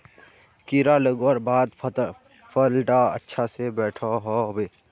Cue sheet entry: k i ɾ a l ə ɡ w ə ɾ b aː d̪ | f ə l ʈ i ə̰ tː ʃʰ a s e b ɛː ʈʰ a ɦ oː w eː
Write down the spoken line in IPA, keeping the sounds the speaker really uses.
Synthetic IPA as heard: k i ɾ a l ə ɡ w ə ɾ b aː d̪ | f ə l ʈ a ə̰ tː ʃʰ a s e b ɛː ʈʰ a ɦ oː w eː